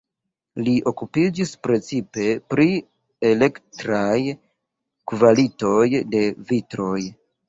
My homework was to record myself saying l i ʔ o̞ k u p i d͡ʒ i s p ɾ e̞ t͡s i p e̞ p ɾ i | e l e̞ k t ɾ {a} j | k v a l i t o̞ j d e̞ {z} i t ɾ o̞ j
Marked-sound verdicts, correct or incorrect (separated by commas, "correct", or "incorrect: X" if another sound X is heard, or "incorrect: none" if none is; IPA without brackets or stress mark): correct, incorrect: v